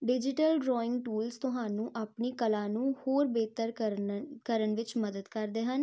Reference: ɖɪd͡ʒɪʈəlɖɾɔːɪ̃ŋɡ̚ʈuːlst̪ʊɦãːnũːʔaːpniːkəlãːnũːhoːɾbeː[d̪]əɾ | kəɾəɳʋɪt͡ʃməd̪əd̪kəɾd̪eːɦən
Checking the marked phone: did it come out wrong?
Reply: yes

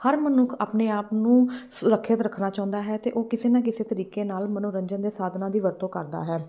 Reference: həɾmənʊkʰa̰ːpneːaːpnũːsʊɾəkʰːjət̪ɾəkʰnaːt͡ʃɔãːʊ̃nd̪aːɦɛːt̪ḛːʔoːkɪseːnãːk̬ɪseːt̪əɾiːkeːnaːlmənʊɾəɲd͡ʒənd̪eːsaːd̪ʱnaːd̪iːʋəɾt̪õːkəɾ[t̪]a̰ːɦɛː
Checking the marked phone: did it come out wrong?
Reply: yes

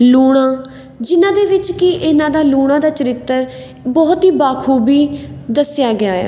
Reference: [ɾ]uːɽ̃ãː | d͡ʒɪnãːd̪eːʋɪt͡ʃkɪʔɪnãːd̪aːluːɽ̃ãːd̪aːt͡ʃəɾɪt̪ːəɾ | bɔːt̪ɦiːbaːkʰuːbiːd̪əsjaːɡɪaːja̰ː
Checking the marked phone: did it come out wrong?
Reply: yes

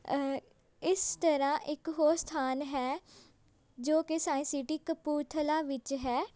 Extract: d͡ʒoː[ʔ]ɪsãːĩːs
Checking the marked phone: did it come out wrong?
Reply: yes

